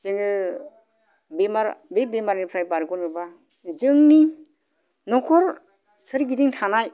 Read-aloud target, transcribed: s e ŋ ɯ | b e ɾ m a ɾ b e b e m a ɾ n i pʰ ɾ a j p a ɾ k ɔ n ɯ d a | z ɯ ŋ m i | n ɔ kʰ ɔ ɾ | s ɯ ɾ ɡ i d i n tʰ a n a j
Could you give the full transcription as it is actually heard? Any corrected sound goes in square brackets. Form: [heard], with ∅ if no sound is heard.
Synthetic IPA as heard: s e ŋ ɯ | b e [∅] m a ɾ b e b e m a ɾ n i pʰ ɾ a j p a ɾ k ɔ n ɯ [b] a | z ɯ ŋ [n] i | n ɔ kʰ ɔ ɾ | s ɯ ɾ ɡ i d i [ŋ] tʰ a n a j